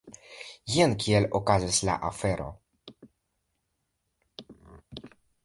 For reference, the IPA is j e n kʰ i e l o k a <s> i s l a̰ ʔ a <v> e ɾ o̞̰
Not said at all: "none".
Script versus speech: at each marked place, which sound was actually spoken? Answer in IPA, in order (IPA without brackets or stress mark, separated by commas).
z, f